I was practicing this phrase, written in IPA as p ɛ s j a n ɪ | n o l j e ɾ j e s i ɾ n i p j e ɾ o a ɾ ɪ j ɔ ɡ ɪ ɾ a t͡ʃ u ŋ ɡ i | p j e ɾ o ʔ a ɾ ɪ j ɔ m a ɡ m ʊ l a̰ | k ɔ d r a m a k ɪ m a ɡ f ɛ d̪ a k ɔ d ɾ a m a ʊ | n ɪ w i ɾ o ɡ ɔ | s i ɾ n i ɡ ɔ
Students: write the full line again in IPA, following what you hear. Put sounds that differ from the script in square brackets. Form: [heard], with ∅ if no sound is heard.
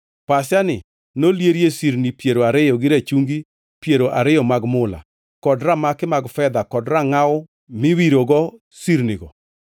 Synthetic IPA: p [a] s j a n ɪ | n o l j e ɾ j e s i ɾ n i p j e ɾ o a ɾ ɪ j ɔ ɡ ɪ ɾ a t͡ʃ u ŋ ɡ i | p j e ɾ o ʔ a ɾ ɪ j ɔ m a ɡ m ʊ l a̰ | k ɔ d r a m a k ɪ m a ɡ f ɛ d̪ a k ɔ d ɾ a [ŋ] a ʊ | [m] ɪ w i ɾ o ɡ ɔ | s i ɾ n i ɡ ɔ